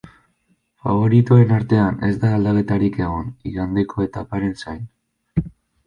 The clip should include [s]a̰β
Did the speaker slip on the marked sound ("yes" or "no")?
yes